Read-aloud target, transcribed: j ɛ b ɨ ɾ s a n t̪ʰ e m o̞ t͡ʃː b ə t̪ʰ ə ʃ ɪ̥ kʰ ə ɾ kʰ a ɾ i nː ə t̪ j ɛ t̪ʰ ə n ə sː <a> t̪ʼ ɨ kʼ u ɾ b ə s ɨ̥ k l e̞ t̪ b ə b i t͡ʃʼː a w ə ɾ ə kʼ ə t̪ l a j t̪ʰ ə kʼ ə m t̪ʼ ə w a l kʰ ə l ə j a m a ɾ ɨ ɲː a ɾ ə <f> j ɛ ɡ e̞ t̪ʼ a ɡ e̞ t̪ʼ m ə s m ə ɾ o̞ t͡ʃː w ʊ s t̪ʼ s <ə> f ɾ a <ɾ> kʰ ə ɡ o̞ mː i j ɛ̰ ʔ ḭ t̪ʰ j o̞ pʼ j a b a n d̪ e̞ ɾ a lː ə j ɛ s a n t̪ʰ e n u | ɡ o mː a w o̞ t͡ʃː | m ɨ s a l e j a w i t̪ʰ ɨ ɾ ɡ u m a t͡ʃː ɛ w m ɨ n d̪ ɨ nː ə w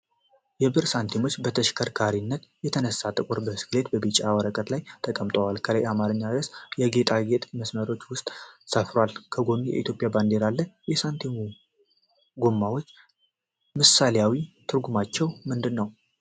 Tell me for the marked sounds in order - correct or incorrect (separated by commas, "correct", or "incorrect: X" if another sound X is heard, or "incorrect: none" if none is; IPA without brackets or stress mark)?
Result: correct, incorrect: s, correct, incorrect: l